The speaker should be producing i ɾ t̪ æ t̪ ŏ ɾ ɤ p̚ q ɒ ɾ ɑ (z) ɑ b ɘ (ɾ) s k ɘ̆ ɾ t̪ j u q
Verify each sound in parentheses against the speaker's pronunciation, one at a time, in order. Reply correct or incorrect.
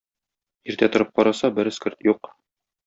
incorrect, correct

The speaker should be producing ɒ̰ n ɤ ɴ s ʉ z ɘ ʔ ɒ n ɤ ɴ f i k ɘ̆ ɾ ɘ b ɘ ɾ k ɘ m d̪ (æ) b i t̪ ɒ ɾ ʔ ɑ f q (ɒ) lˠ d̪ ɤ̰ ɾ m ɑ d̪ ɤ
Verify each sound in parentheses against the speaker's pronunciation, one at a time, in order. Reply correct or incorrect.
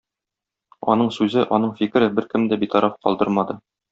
correct, correct

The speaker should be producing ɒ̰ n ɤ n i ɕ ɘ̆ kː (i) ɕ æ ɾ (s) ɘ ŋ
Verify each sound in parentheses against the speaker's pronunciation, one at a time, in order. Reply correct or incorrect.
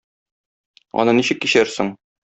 correct, correct

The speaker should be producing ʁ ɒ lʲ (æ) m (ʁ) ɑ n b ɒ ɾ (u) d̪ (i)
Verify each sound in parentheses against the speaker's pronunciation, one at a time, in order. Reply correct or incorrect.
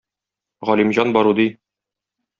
incorrect, incorrect, correct, correct

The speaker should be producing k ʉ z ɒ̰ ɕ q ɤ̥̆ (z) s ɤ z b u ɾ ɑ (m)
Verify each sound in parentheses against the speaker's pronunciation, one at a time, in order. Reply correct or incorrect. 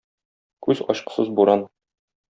incorrect, incorrect

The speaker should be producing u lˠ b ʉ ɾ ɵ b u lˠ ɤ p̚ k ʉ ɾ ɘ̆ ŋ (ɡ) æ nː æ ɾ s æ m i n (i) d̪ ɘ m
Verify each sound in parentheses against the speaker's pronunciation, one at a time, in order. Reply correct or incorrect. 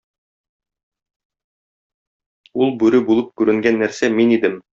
correct, correct

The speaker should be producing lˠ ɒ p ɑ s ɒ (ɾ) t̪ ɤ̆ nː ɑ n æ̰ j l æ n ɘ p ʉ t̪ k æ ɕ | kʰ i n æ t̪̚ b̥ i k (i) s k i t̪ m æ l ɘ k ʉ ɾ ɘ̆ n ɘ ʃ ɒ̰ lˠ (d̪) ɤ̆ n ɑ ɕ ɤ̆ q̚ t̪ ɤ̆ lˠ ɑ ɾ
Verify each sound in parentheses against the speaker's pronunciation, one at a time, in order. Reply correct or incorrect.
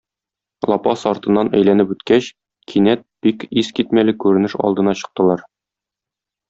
correct, correct, correct

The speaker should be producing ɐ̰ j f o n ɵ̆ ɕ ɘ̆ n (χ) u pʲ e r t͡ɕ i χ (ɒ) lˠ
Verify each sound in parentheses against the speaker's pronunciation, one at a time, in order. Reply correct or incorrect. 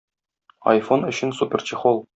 incorrect, incorrect

